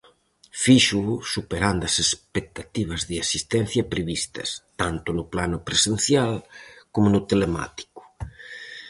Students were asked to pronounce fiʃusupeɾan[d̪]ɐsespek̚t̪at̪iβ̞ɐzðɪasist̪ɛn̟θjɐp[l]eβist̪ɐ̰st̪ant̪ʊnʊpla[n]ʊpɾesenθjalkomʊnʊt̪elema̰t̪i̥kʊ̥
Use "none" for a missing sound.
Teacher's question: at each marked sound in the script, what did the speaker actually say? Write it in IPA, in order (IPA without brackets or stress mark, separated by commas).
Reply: d̪, ɾ, n